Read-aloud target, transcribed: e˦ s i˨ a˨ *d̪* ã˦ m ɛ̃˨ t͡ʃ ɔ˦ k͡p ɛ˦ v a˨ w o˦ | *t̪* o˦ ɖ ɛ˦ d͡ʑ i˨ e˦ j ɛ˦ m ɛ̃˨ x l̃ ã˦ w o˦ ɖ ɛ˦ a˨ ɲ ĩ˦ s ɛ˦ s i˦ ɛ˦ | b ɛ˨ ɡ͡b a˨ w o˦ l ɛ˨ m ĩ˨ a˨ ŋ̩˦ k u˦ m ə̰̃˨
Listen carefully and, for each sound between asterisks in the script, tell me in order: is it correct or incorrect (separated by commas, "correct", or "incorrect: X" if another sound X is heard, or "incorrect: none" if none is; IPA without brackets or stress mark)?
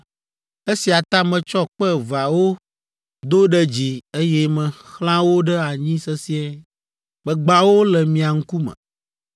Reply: incorrect: t̪, incorrect: d̪